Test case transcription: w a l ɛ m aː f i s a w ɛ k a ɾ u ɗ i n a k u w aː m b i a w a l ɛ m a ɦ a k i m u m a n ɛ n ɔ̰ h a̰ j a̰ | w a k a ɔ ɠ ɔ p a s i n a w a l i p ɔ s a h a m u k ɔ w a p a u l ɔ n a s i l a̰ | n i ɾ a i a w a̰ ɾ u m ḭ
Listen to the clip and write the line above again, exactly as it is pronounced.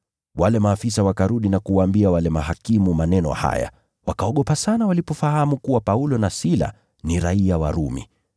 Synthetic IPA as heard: w a l ɛ m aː f i s a w a k a ɾ u ɗ i n a k u w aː m b i a w a l ɛ m a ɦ a k i m u m a n ɛ n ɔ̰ h a̰ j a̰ | w a k a ɔ ɠ ɔ p a s a n a w a l i p ɔ f a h a m u k u w a p a u l ɔ n a s i l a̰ | n i ɾ a i a w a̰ ɾ u m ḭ